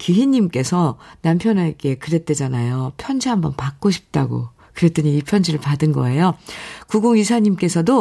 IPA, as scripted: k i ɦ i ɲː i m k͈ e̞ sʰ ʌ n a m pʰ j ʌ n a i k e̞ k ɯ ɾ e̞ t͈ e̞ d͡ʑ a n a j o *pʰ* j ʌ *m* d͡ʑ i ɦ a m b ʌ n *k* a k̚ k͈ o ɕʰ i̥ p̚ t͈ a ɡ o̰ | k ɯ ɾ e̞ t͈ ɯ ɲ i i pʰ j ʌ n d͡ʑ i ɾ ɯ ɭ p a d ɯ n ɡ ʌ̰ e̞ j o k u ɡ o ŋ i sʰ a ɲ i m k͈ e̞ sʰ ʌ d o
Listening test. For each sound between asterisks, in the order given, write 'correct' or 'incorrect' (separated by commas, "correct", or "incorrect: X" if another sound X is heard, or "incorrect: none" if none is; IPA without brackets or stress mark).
correct, incorrect: n, incorrect: p